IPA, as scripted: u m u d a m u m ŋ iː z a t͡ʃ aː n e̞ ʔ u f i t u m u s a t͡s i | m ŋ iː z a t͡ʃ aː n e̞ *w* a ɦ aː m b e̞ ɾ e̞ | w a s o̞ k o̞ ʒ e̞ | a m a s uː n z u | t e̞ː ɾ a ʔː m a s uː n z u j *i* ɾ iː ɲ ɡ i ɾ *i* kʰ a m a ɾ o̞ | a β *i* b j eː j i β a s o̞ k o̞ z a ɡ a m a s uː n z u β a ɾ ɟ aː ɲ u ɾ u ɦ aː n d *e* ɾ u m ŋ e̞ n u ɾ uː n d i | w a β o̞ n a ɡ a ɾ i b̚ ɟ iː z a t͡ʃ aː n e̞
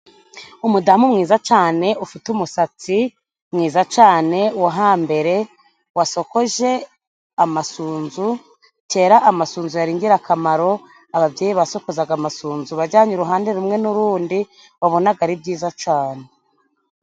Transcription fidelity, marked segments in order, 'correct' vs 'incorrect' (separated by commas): correct, incorrect, incorrect, incorrect, correct